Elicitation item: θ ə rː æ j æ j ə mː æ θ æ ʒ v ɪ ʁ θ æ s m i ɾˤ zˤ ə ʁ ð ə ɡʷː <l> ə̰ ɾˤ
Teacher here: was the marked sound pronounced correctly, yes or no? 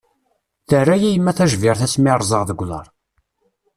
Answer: yes